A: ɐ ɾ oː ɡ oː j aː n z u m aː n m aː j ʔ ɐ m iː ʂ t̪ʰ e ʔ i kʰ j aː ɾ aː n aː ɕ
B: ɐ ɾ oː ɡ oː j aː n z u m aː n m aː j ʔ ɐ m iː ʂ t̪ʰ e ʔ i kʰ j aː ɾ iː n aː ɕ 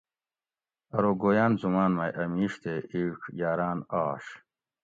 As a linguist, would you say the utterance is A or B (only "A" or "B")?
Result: A